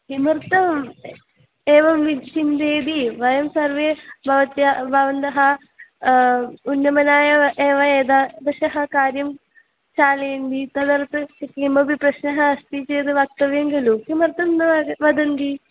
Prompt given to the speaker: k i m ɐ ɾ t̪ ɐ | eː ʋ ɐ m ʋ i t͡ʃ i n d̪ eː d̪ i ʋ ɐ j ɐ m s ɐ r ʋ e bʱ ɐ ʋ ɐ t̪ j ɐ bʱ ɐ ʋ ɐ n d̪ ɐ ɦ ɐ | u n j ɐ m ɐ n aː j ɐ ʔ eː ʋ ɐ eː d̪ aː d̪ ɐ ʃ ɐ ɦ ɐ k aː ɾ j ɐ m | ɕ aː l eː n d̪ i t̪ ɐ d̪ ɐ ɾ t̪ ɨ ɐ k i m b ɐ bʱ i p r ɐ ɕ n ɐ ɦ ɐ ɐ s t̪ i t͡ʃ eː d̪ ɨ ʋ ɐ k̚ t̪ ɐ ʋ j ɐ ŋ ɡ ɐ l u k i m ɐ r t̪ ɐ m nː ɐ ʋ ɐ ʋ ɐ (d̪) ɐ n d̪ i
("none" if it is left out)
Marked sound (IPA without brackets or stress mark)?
d̪